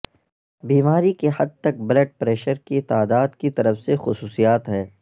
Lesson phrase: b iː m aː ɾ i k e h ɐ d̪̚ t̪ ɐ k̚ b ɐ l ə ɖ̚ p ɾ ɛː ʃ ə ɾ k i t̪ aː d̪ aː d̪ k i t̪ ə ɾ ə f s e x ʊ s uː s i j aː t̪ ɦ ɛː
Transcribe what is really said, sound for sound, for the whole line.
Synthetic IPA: b iː m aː ɾ i k e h ɐ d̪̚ t̪ ɐ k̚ b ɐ l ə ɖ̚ p ɾ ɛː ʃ ə ɾ k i t̪ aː d̪ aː d̪ k i t̪ ɐ ɾ ə f s e x ʊ s uː s i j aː t̪ ɦ ɛː